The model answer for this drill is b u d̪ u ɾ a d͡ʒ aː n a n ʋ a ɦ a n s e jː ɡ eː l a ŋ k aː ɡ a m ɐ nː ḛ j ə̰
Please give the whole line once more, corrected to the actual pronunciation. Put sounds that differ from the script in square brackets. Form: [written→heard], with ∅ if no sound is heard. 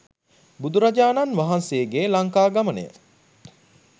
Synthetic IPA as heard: b u d̪ u ɾ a d͡ʒ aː n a n ʋ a ɦ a n s e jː ɡ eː l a ŋ k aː ɡ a m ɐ [nː→n] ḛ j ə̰

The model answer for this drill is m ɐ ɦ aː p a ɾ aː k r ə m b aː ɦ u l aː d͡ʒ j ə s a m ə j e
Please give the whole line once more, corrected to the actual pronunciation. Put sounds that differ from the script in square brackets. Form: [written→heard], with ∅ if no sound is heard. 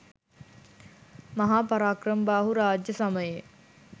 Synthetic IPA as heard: m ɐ ɦ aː p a ɾ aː k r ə m b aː ɦ u [l→ɾ] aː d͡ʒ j ə s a m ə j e

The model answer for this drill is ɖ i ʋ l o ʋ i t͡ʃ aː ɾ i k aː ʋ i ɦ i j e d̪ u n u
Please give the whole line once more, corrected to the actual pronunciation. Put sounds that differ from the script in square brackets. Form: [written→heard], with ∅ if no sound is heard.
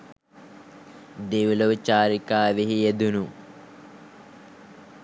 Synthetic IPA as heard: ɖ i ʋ l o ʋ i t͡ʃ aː ɾ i k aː ʋ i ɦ i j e d̪ u n u

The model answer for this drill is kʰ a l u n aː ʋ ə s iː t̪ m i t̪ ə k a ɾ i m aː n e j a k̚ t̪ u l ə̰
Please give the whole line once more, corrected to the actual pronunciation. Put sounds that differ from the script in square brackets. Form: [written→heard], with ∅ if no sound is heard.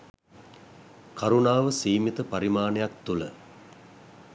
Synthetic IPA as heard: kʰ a [l→ɾ] u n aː ʋ ə s iː [t̪→∅] m i t̪ ə [k→p] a ɾ i m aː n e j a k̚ t̪ u l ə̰

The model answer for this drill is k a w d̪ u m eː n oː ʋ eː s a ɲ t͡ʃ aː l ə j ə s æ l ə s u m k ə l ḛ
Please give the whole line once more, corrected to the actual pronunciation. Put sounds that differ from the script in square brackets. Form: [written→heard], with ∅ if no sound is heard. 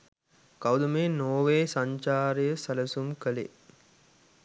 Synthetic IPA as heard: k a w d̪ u m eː n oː ʋ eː s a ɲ t͡ʃ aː [l→ɾ] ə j ə s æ l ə s u m k ə l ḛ

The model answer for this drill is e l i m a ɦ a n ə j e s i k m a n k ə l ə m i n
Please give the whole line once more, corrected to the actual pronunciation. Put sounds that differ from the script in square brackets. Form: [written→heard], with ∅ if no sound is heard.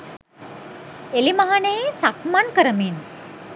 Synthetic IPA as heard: e l i m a ɦ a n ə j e s [i→a] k m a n k ə [l→ɾ] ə m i n

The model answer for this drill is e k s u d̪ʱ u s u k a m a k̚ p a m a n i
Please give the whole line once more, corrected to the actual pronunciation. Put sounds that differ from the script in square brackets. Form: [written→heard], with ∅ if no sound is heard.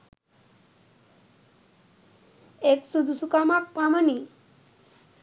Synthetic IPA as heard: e k s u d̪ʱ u s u k a m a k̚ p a m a n i

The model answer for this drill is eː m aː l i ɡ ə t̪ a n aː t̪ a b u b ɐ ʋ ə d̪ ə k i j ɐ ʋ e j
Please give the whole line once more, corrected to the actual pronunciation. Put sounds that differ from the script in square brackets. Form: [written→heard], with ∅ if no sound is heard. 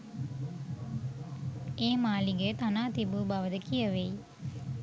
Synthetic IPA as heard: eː m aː l i ɡ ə t̪ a n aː t̪ [a→i] b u b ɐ ʋ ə d̪ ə k i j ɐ ʋ e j

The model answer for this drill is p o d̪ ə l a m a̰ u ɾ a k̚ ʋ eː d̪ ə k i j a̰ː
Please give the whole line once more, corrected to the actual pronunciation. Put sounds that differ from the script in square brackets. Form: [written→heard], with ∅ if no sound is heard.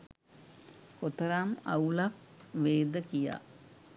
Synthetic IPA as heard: [p→k] o [d̪→t̪] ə [l→ɾ] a m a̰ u [ɾ→l] a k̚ ʋ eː d̪ ə k i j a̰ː

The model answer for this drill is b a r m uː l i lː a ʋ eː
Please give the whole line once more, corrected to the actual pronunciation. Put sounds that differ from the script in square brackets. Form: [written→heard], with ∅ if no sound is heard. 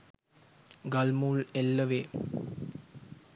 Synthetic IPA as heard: [b→ɡ] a [r→l] m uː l [i→e] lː [a→ə] ʋ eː

